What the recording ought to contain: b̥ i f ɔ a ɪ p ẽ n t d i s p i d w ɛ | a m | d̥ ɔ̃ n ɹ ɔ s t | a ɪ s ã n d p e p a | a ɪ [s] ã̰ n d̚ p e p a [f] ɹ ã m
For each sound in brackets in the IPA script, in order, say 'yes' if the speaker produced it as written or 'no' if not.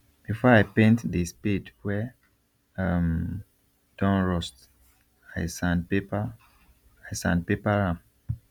yes, no

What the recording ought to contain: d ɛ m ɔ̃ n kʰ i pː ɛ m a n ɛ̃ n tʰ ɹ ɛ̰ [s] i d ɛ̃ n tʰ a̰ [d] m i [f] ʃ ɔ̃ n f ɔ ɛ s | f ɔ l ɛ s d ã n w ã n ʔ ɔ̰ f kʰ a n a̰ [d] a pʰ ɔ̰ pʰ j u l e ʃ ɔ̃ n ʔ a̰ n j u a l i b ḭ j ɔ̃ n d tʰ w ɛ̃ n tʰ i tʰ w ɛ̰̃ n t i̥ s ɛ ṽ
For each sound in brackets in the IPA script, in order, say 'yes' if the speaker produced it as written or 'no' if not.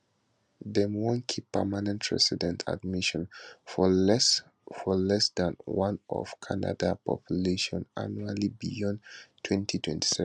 yes, yes, no, yes

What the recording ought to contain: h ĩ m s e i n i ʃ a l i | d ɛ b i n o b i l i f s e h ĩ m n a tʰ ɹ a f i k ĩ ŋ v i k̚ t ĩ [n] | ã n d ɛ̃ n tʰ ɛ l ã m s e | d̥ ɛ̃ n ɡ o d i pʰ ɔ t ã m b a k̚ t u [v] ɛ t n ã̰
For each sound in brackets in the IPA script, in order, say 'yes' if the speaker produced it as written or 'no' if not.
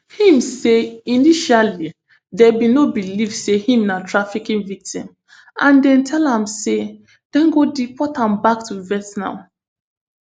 no, yes

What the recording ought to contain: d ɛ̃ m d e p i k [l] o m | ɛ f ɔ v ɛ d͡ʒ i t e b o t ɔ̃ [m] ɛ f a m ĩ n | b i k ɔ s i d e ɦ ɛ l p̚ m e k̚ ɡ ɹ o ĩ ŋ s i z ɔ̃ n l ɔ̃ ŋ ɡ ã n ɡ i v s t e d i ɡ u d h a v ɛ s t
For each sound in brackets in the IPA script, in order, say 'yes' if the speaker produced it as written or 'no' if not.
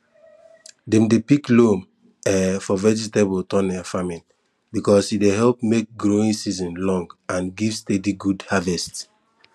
yes, no

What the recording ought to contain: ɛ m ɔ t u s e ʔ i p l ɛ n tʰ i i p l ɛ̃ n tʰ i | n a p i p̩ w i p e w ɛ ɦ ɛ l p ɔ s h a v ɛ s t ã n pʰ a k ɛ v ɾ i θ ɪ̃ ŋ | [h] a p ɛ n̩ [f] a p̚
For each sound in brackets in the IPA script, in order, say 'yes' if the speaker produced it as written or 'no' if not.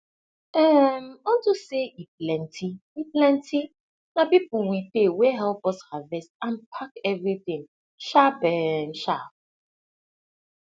no, no

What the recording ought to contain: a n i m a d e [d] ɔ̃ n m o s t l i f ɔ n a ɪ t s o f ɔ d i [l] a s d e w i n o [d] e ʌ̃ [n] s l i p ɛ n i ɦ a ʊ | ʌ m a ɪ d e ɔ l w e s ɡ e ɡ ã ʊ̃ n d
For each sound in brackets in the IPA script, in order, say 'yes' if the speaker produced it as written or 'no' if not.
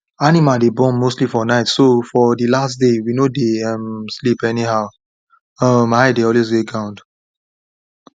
no, yes, yes, no

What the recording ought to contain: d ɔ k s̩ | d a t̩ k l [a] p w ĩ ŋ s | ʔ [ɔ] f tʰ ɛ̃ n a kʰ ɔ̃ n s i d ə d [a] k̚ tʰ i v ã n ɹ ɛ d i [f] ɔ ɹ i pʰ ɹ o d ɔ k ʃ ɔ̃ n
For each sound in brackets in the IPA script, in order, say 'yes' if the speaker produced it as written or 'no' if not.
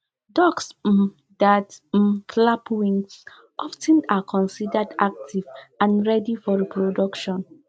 yes, yes, yes, yes

